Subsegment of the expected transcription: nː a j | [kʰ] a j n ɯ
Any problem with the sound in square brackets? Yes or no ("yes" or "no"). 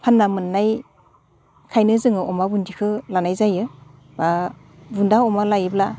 no